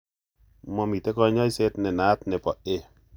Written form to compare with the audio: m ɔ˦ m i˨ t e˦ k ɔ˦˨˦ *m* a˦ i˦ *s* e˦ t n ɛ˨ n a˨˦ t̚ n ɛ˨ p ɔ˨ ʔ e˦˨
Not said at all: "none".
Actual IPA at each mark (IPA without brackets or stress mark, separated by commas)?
ɲ, s